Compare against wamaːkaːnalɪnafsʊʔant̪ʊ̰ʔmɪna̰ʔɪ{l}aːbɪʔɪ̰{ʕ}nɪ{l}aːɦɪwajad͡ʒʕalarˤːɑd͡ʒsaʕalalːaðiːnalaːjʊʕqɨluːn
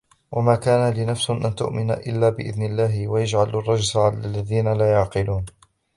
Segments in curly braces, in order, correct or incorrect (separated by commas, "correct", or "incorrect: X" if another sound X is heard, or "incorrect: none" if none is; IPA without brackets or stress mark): incorrect: lː, incorrect: ð, incorrect: lː